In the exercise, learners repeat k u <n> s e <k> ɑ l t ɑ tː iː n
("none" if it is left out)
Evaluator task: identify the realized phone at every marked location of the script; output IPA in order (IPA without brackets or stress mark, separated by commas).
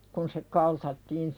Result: n, k